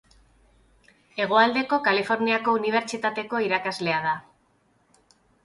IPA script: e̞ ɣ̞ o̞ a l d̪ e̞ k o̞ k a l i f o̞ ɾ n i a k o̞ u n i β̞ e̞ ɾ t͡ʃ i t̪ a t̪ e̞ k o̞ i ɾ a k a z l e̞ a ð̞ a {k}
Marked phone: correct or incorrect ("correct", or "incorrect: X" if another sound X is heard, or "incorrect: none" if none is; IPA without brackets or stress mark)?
incorrect: none